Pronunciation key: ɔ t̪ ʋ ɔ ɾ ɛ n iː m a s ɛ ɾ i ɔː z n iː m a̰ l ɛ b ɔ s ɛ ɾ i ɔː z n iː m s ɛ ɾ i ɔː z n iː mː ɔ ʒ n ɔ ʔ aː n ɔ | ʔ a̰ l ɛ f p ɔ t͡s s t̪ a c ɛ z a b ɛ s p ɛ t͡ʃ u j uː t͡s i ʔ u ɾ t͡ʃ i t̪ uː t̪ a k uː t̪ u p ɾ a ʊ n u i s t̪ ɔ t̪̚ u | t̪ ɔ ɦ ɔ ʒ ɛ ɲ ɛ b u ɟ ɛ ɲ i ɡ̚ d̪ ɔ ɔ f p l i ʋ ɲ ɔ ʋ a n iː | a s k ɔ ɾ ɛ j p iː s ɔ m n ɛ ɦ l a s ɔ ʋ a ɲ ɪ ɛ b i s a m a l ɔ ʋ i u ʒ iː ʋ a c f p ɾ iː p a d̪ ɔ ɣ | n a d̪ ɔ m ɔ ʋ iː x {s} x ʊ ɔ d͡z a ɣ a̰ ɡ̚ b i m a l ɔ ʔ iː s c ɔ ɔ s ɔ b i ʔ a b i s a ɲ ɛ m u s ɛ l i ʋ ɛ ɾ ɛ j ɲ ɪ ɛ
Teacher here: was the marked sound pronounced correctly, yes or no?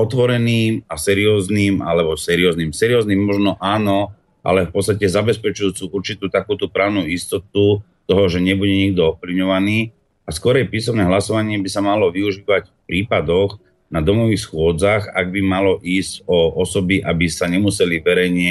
yes